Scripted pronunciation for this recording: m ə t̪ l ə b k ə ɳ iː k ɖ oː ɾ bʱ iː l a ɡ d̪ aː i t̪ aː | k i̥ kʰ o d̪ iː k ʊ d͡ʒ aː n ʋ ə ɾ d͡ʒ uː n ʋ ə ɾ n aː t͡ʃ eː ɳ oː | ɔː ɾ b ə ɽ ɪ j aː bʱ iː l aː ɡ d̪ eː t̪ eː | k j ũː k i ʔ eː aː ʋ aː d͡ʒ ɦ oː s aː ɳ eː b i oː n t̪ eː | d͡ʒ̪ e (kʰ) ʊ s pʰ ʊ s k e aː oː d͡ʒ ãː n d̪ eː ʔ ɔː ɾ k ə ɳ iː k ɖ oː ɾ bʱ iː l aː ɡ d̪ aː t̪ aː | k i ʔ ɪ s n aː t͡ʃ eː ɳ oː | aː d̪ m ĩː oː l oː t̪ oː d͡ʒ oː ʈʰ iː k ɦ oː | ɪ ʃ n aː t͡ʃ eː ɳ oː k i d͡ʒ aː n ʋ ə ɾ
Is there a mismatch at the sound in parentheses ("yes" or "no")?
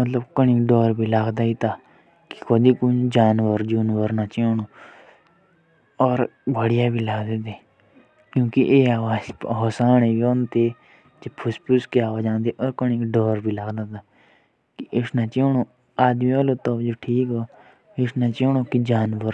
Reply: yes